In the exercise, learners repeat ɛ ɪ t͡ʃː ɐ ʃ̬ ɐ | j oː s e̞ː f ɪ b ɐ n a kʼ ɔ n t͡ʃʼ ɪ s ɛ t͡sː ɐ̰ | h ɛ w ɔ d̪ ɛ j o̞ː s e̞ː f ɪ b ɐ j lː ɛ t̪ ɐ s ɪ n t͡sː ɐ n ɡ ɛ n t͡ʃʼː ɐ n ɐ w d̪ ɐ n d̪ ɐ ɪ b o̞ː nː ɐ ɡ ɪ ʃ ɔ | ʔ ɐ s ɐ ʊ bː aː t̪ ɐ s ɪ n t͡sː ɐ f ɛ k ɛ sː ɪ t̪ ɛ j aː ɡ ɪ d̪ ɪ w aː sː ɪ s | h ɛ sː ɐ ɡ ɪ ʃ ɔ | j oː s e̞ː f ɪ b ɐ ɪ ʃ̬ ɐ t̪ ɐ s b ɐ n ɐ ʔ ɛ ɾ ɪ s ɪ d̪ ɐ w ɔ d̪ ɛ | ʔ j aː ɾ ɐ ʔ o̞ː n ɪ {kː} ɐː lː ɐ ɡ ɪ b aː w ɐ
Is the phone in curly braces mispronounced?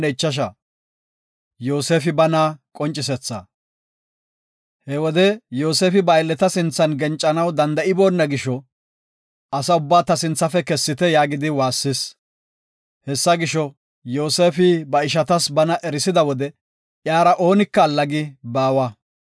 no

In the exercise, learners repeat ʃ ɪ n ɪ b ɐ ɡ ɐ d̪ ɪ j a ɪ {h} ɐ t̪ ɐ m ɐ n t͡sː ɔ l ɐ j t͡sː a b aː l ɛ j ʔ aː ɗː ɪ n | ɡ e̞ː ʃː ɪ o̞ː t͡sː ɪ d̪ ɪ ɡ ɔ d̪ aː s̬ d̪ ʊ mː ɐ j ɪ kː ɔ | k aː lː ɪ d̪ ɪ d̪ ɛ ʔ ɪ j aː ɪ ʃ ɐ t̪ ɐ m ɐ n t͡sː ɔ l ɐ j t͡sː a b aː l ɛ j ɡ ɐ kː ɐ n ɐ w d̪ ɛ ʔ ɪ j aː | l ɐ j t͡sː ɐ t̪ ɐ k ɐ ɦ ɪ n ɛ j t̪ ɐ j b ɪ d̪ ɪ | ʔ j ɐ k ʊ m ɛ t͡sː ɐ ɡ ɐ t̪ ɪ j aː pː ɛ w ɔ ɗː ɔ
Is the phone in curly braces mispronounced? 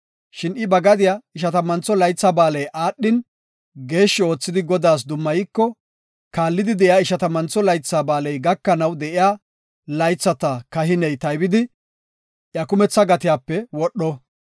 yes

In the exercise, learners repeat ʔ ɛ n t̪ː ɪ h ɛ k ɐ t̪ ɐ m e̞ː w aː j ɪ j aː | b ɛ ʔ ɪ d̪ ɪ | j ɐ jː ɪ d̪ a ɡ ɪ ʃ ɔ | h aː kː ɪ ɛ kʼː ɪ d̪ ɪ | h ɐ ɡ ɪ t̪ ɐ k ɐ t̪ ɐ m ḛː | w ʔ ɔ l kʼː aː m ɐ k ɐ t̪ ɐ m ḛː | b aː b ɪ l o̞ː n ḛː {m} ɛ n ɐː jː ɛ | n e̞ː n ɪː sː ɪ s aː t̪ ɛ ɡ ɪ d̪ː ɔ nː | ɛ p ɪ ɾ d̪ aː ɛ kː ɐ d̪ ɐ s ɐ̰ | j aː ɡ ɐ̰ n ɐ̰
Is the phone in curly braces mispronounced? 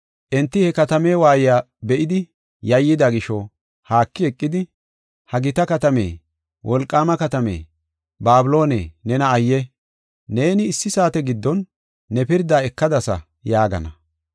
yes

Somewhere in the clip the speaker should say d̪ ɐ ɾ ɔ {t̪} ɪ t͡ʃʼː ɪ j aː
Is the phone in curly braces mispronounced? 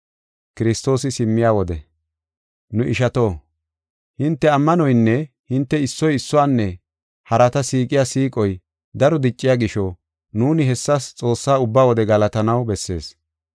yes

